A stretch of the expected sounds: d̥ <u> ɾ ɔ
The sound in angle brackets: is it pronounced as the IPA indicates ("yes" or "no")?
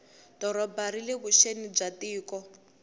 no